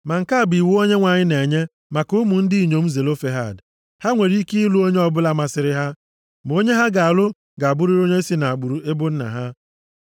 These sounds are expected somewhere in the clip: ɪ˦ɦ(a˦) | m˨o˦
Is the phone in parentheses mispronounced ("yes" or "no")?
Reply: no